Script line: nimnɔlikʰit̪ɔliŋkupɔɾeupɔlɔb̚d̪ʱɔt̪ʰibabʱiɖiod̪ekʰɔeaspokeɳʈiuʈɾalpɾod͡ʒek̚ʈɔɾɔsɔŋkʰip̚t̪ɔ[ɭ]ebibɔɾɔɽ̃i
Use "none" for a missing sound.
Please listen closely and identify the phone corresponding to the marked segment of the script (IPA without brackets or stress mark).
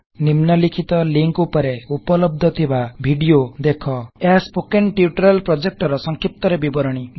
ɾ